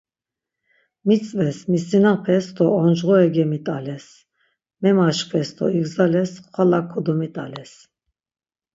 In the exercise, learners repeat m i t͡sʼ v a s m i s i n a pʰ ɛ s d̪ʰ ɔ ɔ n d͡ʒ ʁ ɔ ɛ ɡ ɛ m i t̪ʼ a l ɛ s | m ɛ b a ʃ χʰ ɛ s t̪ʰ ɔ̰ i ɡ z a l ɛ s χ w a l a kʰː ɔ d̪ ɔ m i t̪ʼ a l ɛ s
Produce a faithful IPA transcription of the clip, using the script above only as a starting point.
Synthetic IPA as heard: m i t͡sʼ v ɛ s m i s i n a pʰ ɛ s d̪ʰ ɔ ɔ n d͡ʒ ʁ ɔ ɛ ɡ ɛ m i t̪ʼ a l ɛ s | m ɛ m a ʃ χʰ ɛ s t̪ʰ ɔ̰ i ɡ z a l ɛ s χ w a l a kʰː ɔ d̪ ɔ m i t̪ʼ a l ɛ s